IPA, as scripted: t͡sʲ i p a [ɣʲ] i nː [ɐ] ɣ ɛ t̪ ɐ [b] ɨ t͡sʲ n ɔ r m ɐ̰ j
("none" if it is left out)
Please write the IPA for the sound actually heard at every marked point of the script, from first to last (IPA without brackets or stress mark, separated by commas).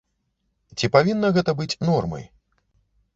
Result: vʲ, ɐ, b